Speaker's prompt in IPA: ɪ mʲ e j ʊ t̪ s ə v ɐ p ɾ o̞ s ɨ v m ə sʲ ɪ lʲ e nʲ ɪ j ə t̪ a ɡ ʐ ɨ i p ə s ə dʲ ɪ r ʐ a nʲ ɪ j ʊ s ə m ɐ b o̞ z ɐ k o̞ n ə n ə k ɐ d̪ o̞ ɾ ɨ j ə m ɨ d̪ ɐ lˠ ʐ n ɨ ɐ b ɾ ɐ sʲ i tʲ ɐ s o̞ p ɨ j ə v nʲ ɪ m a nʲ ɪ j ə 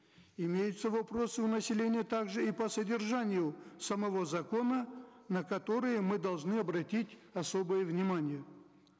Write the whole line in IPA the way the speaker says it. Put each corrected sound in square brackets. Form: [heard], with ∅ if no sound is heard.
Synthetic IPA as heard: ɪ mʲ e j ʊ t̪ s ə v ɐ p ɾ o̞ s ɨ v [n] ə sʲ ɪ lʲ e nʲ ɪ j ə t̪ a ɡ ʐ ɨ i p ə s ə dʲ ɪ r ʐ a nʲ ɪ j ʊ s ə m ɐ [v] o̞ z ɐ k o̞ n ə n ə k ɐ [t̪] o̞ ɾ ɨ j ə m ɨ d̪ ɐ lˠ ʐ n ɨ ɐ b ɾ ɐ [tʲ] i tʲ ɐ s o̞ [b] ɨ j ə v nʲ ɪ m a nʲ ɪ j ə